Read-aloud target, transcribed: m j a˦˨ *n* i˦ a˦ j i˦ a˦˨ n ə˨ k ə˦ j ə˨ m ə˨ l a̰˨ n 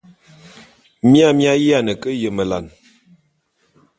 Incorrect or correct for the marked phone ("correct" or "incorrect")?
incorrect